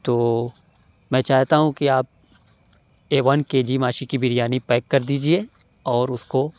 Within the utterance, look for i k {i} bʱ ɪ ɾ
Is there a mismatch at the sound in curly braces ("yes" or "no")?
no